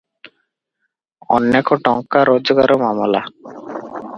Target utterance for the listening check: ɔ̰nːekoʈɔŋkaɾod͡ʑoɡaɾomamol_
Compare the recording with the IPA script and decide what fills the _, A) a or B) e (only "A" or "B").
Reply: A